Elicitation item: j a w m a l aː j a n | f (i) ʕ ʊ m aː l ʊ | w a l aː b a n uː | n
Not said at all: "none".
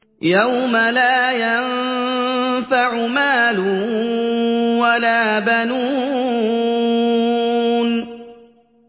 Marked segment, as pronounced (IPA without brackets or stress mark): a